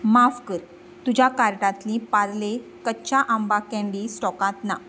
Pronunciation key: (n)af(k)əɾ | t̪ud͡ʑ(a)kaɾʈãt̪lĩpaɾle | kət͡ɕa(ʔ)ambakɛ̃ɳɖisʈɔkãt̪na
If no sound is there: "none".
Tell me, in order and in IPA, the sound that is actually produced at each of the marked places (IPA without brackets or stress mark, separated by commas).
m, k, a, ʔ